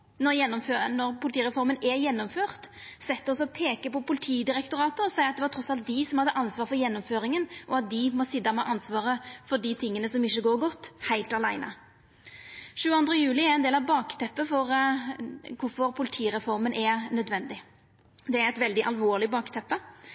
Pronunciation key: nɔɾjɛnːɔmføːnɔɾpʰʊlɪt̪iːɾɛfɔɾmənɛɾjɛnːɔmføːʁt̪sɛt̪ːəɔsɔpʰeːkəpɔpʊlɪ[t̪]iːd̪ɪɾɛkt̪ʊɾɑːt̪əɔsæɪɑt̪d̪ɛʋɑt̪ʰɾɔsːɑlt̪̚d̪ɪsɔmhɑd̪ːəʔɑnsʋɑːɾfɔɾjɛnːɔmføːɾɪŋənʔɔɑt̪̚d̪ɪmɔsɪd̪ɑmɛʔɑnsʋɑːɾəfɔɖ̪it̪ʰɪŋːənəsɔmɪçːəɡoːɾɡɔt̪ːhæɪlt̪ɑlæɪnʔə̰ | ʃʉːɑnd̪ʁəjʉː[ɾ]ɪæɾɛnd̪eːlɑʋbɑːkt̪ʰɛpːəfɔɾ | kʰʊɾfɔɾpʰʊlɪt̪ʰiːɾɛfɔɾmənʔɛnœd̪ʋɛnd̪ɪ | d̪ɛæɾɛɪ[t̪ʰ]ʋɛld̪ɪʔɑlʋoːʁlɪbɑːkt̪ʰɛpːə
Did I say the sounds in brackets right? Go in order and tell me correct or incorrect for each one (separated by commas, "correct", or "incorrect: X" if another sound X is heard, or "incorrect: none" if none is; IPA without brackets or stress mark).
incorrect: t̪ʰ, incorrect: l, incorrect: t̪